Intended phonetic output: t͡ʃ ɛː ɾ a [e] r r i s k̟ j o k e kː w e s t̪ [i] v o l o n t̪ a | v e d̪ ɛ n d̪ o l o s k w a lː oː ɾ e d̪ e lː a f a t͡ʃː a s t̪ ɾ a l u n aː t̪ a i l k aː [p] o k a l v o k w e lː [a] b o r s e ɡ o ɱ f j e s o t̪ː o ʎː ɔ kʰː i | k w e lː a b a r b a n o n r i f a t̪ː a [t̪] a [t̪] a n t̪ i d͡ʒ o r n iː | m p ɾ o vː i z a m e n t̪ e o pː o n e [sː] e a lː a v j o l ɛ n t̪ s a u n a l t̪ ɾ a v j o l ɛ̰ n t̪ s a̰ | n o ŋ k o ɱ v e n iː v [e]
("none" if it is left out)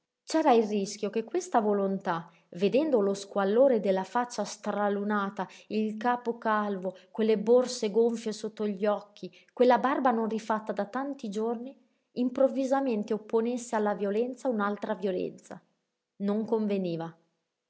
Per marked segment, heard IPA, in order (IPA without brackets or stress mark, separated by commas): i, a, p, e, d̪, t̪, sː, a